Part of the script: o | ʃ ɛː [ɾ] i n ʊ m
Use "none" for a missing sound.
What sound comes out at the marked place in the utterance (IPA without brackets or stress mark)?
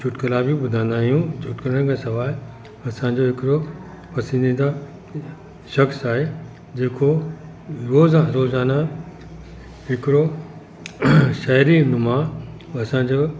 ɾ